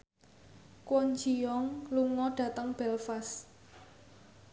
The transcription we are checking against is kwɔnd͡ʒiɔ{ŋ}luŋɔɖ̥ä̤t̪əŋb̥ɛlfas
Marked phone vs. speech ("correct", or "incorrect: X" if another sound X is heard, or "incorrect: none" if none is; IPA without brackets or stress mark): correct